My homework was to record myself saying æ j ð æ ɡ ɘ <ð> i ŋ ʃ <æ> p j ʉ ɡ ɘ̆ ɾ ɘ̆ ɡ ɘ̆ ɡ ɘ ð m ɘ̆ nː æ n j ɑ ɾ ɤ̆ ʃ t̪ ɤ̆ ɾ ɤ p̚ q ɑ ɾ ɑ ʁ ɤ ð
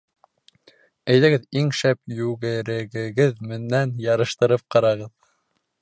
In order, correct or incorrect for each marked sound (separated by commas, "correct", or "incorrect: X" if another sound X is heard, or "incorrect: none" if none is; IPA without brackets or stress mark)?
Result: correct, correct